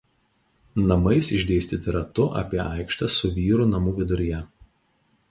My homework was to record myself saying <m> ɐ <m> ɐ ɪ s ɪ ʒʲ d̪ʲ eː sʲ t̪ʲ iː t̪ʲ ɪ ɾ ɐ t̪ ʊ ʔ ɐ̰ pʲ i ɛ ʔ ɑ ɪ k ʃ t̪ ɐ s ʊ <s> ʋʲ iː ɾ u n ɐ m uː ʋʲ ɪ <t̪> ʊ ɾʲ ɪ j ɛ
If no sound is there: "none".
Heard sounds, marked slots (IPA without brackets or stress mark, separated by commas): n, m, none, d̪